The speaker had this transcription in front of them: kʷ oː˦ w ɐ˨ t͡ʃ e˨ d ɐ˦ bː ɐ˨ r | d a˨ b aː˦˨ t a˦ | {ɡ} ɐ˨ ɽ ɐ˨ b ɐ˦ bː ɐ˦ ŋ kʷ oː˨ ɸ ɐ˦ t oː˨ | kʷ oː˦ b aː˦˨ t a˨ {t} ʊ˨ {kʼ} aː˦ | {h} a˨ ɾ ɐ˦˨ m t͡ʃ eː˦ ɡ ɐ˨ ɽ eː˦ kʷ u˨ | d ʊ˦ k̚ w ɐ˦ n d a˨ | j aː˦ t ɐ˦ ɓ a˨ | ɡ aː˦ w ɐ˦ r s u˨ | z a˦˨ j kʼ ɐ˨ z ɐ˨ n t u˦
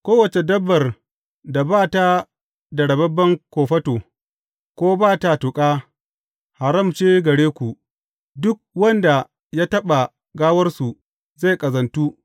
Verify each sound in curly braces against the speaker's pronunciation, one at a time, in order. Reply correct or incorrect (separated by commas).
incorrect, correct, correct, correct